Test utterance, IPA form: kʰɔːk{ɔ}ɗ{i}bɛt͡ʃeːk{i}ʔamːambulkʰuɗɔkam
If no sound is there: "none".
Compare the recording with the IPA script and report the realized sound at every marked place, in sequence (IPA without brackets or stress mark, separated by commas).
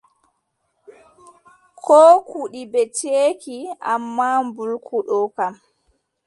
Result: u, i, i